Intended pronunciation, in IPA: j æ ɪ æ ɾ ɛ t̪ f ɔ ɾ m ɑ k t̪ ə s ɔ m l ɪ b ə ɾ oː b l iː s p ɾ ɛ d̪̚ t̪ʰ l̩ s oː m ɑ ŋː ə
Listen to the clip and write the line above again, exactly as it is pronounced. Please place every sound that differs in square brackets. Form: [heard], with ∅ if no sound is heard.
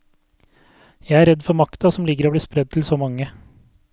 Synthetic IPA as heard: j æ ɪ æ ɾ ɛ [d̪] f ɔ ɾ m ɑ k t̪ [ɑ] s ɔ m l ɪ [ɡ] ə ɾ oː b l iː s p ɾ ɛ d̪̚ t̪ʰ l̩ s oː m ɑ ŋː ə